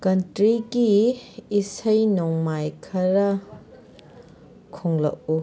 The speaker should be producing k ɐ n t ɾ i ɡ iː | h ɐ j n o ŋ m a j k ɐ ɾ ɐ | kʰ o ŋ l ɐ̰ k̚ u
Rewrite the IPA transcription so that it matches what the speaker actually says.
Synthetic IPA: k ɐ n t ɾ i ɡ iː | s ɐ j n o ŋ m a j kʰ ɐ ɾ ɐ | kʰ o ŋ l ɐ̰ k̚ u